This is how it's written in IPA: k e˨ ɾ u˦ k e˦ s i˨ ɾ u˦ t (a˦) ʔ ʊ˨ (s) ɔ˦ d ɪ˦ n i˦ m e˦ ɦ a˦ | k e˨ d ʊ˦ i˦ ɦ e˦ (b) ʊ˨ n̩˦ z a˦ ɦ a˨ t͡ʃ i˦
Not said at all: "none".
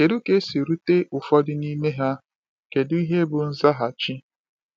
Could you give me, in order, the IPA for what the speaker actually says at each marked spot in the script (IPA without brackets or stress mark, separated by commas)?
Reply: e˦, f, b